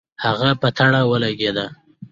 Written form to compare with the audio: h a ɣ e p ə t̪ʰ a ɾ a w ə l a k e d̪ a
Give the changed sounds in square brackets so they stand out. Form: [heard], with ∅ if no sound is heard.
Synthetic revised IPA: h a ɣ [a] p ə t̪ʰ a [ɽ] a w ə l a [ɡ] e d̪ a